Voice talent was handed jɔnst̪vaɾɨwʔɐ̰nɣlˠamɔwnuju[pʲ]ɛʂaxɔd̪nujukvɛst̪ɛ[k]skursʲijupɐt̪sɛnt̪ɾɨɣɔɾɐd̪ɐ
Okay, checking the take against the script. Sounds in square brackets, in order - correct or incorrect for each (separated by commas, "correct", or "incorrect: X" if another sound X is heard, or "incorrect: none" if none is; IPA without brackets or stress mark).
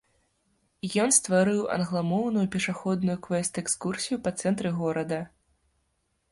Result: correct, correct